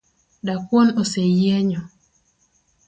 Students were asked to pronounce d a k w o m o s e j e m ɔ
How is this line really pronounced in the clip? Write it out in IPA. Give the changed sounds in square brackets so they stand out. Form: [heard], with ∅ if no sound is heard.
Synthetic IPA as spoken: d a k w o [n] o s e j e [ɲ] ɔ